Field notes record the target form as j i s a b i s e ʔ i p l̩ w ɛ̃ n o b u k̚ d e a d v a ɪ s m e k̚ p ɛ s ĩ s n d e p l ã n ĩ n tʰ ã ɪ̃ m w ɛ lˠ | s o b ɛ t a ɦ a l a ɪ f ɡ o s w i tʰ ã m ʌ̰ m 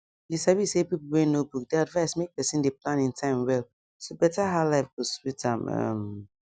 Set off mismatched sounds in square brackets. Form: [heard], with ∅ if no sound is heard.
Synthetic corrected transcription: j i s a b i s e [p] i p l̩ w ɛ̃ n o b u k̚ d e a d v a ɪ s m e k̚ p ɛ s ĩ [∅] n d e p l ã n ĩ n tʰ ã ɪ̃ m w ɛ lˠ | s o b ɛ t a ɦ a l a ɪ f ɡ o s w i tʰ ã m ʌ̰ m